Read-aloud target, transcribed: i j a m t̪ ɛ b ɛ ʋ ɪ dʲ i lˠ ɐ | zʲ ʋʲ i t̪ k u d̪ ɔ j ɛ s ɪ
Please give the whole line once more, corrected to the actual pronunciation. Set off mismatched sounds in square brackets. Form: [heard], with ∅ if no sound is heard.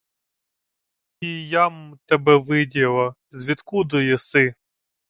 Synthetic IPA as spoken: i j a m t̪ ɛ b ɛ ʋ ɪ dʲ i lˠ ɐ | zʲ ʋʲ i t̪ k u d̪ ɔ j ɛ s ɪ

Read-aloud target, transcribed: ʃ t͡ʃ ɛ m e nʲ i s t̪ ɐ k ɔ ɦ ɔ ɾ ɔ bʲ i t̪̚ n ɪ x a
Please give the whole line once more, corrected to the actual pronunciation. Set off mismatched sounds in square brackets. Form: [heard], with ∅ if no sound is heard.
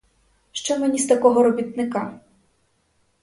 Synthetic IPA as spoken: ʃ t͡ʃ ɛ m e nʲ i s t̪ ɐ k ɔ ɦ ɔ ɾ ɔ bʲ i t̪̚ n ɪ [k] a

